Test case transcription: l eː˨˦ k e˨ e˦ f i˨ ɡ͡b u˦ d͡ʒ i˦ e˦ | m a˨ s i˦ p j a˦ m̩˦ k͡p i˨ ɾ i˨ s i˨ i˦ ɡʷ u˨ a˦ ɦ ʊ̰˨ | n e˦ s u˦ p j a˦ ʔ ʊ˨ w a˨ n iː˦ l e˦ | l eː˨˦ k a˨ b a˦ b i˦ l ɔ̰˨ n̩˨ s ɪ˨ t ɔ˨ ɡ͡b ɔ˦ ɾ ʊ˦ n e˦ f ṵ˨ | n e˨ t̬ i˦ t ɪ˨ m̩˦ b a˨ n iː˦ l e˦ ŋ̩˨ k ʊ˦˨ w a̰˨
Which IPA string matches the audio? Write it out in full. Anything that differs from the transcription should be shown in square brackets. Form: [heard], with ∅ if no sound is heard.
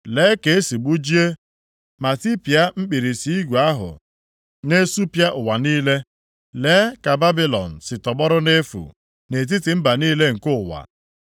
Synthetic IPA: l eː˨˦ k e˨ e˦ [s] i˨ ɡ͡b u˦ d͡ʒ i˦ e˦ | m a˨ [t] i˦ p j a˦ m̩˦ k͡p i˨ ɾ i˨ s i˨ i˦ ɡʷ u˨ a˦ ɦ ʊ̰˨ | n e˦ s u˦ p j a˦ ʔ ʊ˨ w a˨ n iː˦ l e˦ | l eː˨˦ k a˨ b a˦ b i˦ l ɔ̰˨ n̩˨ s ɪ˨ t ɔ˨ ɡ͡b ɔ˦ ɾ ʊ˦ n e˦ f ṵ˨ | n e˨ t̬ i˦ t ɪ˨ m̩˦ b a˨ n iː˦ l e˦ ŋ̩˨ k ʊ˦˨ w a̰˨